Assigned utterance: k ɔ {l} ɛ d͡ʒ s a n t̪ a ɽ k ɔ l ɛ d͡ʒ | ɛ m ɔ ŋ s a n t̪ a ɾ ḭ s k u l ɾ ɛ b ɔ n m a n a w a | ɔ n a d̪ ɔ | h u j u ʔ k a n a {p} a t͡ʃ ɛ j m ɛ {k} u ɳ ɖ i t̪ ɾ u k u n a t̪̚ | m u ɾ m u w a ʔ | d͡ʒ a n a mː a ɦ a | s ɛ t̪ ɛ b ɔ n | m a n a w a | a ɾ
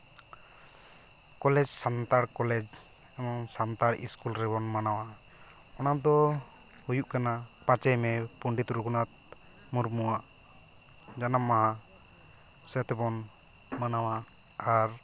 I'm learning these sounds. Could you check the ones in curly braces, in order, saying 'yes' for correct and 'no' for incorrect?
yes, yes, no

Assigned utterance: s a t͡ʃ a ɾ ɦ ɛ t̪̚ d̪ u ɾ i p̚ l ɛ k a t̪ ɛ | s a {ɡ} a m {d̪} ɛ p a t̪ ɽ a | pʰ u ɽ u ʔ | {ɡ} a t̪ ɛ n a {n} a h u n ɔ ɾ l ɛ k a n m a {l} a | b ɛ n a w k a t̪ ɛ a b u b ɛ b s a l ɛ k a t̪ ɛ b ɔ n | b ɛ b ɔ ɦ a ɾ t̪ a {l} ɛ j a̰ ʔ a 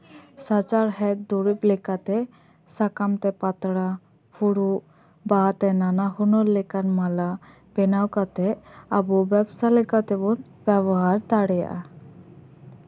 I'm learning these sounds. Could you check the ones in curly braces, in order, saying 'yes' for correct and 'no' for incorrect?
no, no, no, yes, yes, no

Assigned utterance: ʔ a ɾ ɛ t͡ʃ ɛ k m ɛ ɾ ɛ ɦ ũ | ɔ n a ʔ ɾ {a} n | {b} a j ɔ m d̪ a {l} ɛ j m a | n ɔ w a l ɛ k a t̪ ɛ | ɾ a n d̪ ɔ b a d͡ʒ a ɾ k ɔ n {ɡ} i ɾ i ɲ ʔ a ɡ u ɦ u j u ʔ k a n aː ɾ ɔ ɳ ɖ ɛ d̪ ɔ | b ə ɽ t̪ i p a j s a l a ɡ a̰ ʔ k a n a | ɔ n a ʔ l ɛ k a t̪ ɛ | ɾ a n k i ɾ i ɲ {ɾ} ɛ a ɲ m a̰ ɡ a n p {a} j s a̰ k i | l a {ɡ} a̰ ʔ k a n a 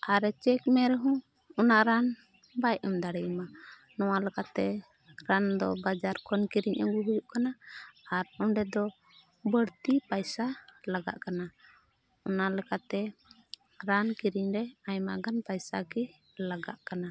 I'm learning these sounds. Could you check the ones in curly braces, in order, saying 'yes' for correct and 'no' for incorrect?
yes, yes, no, no, yes, yes, yes

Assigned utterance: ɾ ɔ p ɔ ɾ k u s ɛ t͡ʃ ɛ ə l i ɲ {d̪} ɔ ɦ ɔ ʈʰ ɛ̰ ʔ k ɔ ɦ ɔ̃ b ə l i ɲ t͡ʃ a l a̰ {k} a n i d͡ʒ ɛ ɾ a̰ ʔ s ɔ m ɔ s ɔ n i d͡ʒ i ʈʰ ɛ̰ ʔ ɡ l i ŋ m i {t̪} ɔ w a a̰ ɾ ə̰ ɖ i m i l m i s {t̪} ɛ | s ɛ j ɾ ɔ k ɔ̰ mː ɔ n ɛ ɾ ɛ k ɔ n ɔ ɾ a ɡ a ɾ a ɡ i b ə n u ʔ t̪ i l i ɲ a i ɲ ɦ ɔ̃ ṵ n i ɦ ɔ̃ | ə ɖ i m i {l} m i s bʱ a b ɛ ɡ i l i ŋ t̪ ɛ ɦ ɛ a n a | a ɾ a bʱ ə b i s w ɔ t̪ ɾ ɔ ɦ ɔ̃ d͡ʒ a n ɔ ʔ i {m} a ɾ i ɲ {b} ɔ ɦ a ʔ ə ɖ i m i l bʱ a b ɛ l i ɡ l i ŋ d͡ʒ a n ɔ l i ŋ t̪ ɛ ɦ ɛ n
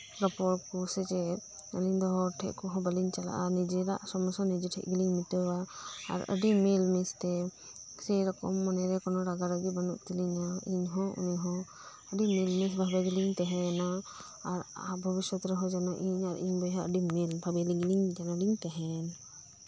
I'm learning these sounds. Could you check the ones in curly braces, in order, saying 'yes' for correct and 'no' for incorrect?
yes, no, yes, yes, yes, no, yes

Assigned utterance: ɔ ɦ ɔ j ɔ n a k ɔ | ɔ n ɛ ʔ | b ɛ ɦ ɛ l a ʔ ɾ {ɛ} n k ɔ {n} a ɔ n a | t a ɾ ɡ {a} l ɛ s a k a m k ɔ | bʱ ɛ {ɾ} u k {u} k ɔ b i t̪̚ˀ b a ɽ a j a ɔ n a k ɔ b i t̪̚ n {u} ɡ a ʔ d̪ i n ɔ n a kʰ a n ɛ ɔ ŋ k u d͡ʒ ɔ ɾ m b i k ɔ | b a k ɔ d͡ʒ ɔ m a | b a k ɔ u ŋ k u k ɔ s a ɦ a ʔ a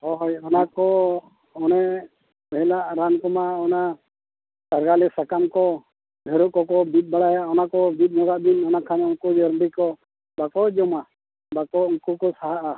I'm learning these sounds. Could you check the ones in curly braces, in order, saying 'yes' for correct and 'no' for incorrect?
no, no, yes, yes, no, no

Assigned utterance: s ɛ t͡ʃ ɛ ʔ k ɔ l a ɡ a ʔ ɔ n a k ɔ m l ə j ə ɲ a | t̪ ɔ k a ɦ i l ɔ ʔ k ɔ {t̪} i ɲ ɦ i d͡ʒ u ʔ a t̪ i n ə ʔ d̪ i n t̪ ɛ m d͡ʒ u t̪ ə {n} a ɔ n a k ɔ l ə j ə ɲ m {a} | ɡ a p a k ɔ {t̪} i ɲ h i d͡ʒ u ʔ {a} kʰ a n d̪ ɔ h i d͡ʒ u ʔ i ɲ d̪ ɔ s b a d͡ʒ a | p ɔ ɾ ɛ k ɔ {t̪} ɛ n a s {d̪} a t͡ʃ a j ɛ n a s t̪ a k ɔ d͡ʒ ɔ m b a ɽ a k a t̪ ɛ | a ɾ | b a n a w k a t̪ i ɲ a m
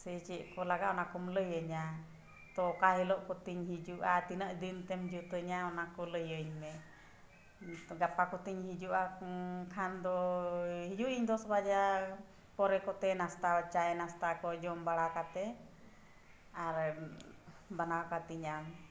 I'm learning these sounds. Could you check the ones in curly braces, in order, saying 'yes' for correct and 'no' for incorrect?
yes, no, no, yes, yes, yes, no

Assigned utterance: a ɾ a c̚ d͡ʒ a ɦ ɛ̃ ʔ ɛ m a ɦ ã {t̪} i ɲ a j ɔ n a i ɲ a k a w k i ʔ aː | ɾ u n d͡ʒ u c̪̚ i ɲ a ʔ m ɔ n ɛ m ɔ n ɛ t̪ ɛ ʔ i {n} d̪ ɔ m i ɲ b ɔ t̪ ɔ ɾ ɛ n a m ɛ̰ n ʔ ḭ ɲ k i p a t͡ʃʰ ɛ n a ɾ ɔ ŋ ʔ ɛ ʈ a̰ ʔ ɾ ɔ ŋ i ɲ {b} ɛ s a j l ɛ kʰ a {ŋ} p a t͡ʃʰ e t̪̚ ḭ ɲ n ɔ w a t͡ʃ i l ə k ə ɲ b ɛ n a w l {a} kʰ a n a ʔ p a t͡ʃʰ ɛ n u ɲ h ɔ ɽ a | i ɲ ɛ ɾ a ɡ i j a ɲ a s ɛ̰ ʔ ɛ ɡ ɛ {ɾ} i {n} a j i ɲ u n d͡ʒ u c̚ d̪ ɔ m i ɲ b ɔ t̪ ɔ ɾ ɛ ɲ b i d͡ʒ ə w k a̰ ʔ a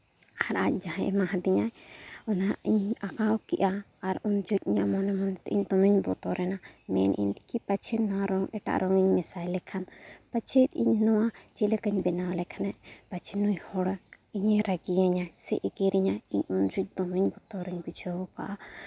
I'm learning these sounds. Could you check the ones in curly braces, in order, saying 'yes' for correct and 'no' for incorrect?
no, no, no, no, no, yes, no

